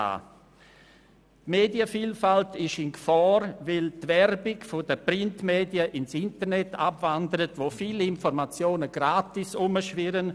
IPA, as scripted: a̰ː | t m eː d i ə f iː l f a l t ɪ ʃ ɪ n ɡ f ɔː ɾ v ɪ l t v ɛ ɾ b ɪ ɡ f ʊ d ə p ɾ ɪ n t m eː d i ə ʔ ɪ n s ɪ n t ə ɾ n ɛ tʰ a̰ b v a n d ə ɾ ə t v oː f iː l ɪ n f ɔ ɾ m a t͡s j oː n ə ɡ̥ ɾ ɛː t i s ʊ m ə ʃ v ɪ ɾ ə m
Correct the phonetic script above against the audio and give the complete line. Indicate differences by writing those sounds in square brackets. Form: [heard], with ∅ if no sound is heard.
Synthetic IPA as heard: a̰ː | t m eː d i ə f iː l f a l t ɪ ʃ ɪ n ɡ f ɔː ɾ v ɪ l t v ɛ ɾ b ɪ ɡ f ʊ d ə p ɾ ɪ n t m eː d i ə ʔ ɪ n s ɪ n t ə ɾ n ɛ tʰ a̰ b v a n d ə ɾ ə t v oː f iː l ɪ n f ɔ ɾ m a t͡s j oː n ə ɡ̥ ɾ [aː] t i s ʊ m ə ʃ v ɪ ɾ ə [n]